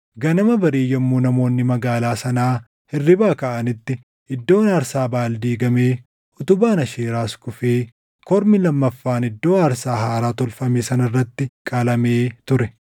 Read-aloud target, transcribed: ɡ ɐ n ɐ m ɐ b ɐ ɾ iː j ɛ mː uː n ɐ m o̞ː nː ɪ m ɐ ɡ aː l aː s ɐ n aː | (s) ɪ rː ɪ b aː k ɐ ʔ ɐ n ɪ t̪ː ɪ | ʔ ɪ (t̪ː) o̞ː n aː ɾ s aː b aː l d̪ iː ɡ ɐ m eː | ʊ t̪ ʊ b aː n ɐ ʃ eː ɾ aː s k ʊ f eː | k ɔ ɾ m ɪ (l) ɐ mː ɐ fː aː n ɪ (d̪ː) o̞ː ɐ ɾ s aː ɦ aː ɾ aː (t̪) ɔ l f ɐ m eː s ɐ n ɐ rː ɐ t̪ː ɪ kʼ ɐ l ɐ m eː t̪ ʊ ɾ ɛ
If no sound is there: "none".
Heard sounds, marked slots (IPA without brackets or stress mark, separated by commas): h, d̪ː, l, d̪ː, t̪